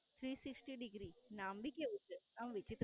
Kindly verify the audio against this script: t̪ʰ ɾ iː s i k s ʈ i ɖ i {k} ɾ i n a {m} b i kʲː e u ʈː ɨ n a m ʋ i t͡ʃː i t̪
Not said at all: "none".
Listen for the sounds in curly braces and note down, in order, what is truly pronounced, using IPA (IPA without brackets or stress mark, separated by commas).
ɡ, m